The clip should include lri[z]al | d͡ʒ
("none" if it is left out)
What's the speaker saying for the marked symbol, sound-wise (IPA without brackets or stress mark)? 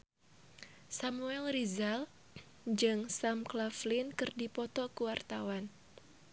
z